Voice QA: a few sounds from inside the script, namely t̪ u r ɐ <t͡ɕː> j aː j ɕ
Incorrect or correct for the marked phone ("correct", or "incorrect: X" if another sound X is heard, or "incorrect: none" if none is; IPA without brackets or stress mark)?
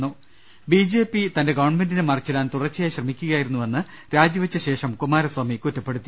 correct